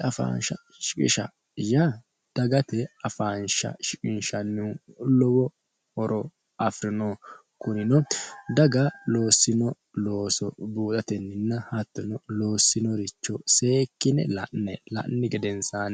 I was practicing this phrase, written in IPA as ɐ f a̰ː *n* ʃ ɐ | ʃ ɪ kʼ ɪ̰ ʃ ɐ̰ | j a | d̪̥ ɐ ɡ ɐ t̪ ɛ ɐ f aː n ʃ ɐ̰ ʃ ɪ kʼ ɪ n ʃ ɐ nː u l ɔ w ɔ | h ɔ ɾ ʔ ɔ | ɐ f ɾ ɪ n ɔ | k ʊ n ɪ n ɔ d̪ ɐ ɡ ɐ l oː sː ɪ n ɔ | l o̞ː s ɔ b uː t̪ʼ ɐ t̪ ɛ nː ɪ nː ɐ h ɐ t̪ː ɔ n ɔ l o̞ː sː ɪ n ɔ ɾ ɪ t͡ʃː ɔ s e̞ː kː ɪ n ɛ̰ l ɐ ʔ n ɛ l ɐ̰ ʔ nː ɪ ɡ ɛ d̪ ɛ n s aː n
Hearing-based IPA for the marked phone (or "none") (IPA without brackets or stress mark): n